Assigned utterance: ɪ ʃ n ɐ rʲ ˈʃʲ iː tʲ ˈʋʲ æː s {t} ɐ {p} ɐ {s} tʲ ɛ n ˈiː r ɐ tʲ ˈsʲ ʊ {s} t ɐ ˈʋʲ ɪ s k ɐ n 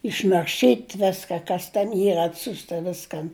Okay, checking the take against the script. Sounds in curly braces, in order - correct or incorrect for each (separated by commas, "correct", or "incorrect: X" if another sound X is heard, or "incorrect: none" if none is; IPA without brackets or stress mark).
incorrect: k, incorrect: k, correct, correct